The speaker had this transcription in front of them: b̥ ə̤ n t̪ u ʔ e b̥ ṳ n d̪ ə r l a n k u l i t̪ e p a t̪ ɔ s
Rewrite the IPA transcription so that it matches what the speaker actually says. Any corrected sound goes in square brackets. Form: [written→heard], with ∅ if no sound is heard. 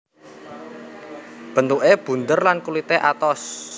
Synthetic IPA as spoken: b̥ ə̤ n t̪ u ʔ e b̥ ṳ n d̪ ə r l a n k u l i t̪ e [p→ʔ] a t̪ ɔ s

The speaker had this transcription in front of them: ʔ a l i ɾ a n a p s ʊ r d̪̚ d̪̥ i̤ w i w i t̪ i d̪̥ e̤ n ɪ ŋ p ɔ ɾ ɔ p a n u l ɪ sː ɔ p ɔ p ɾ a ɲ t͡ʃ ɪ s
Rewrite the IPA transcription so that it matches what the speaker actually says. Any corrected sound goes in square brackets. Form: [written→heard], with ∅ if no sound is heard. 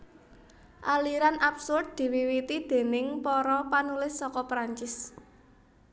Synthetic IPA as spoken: ʔ a l i ɾ a n a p s ʊ r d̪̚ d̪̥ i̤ w i w i t̪ i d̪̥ e̤ n ɪ ŋ p ɔ ɾ ɔ p a n u l ɪ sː ɔ [p→k] ɔ p ɾ a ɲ t͡ʃ ɪ s

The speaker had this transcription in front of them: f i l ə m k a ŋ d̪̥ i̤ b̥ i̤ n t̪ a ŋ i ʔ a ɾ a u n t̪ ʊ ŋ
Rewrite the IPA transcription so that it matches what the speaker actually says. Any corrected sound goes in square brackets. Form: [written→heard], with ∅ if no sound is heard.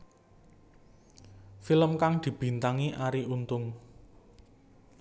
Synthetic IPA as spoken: f i l ə m k a ŋ d̪̥ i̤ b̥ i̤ n t̪ a ŋ i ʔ a ɾ [a→i] u n t̪ ʊ ŋ

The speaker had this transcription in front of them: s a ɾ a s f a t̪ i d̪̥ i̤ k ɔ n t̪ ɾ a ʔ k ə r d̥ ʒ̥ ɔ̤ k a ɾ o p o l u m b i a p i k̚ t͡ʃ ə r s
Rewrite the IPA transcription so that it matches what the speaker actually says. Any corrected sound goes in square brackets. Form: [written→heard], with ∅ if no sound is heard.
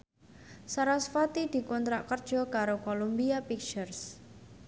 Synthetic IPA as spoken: s a ɾ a s f a t̪ i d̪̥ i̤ k ɔ n t̪ ɾ a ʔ k ə r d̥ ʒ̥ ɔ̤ k a ɾ o [p→k] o l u m b i a p i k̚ t͡ʃ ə r s

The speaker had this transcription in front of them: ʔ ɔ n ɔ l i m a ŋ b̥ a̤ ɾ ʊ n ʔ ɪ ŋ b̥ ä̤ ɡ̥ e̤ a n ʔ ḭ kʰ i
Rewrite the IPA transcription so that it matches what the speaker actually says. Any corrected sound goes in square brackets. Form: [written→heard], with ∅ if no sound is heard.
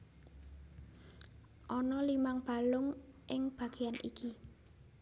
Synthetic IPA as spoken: ʔ ɔ n ɔ l i m a ŋ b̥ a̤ [ɾ→l] ʊ [n→ŋ] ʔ ɪ ŋ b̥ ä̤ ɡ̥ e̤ a n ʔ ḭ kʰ i

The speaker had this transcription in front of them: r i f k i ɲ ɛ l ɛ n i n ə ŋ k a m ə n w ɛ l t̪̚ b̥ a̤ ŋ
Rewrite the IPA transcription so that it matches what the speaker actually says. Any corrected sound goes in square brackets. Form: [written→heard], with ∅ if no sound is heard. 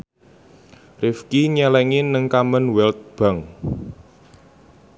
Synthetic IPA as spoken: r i f k i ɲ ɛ l ɛ [n→ŋ] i n ə ŋ k a m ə n w ɛ l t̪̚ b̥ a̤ ŋ

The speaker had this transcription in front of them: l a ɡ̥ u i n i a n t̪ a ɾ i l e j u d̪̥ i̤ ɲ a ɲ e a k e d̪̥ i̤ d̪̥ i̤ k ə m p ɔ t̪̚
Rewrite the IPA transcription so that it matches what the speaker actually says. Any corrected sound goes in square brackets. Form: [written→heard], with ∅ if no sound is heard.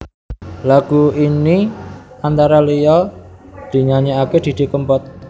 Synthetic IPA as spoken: l a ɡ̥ u i n i a n t̪ a ɾ [i→a] l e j [u→ɔ] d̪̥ i̤ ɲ a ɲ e a k e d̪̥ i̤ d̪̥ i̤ k ə m p ɔ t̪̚

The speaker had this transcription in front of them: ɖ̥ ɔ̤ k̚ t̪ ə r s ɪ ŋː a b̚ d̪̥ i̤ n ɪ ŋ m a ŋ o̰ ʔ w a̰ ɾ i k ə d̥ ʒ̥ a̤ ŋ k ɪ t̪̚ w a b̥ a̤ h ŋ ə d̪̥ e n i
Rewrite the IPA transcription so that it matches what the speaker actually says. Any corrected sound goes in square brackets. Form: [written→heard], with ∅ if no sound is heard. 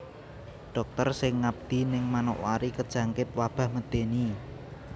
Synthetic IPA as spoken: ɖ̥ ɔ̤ k̚ t̪ ə r s ɪ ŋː a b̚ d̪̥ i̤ n ɪ ŋ m a [ŋ→n] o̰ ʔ w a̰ ɾ i k ə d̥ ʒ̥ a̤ ŋ k ɪ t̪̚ w a b̥ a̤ h [ŋ→m] ə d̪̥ e n i

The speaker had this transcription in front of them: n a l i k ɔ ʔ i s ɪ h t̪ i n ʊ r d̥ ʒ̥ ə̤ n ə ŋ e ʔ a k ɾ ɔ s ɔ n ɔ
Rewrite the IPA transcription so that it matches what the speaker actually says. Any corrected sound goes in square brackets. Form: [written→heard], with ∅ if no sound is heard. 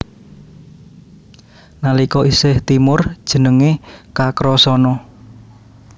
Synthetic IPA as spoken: n a l i k ɔ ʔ i s ɪ h t̪ i [n→m] ʊ r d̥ ʒ̥ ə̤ n ə ŋ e [ʔ→k] a k ɾ ɔ s ɔ n ɔ

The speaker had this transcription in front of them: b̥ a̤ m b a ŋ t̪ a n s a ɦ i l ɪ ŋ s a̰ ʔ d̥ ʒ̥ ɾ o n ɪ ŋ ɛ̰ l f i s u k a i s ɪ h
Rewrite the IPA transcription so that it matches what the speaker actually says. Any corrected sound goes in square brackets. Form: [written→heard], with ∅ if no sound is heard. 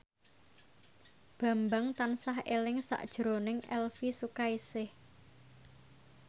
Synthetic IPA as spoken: b̥ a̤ m b a ŋ t̪ a n s a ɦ [i→e] l ɪ ŋ s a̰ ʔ d̥ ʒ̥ ɾ o n ɪ ŋ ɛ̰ l f i s u k a i s ɪ h

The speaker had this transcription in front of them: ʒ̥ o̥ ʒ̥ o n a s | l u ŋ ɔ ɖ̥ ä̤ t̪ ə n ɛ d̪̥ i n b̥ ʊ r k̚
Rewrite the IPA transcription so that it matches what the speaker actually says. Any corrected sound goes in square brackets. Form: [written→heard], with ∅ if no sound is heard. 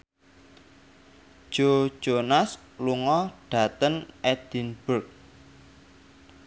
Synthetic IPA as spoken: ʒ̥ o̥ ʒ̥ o n a s | l u ŋ ɔ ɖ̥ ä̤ t̪ ə n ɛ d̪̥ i n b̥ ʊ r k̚

